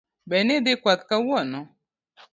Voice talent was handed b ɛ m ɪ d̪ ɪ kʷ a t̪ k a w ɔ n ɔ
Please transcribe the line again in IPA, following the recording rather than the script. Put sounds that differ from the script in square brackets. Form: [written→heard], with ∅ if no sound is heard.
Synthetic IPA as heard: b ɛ [m→n] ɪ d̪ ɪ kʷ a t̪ k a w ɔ n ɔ